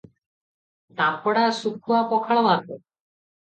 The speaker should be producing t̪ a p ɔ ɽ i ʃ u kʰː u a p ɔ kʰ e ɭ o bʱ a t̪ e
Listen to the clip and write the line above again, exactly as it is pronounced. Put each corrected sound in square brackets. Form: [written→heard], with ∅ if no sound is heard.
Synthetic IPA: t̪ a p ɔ ɽ [i→a] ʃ u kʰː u a p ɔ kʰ [e→a] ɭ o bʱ a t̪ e